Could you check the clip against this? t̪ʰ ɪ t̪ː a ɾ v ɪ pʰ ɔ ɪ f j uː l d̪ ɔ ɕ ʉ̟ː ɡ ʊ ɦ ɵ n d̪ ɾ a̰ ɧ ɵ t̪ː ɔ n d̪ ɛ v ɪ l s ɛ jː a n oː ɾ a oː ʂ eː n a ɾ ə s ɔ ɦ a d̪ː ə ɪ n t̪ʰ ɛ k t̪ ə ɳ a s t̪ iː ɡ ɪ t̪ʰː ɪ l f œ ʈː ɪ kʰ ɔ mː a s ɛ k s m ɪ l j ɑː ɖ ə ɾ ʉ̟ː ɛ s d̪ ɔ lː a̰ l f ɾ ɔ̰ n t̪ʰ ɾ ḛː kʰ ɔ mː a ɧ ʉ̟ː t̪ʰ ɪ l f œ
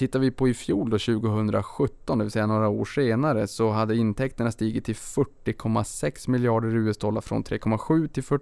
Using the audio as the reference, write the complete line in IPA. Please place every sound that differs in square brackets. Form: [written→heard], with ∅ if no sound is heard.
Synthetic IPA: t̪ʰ ɪ t̪ː a ɾ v ɪ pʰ ɔ ɪ f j uː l d̪ ɔ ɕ ʉ̟ː ɡ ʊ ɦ ɵ n d̪ ɾ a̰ ɧ ɵ t̪ː ɔ n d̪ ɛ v ɪ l s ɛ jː a n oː ɾ a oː ʂ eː n a ɾ ə s ɔ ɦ a d̪ː ə ɪ n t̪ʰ ɛ k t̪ ə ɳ a s t̪ iː ɡ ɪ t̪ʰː ɪ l f œ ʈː ɪ kʰ ɔ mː a s ɛ k s m ɪ l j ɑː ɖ ə ɾ ʉ̟ː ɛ s d̪ ɔ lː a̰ [l→ɾ] f ɾ ɔ̰ n t̪ʰ ɾ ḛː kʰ ɔ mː a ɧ ʉ̟ː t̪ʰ ɪ l f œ